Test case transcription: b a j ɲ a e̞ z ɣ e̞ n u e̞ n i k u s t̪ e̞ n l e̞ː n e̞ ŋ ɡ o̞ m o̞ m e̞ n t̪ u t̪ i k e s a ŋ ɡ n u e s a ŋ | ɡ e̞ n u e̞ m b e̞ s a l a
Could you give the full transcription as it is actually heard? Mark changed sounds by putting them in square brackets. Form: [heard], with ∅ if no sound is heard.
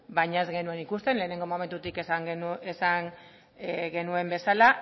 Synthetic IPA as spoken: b a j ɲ a e̞ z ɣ e̞ n u e̞ n i k u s t̪ e̞ n l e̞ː n e̞ ŋ ɡ o̞ m o̞ m e̞ n t̪ u t̪ i k e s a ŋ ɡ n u e s a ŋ | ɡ e̞ n u e̞ m b e̞ s a l a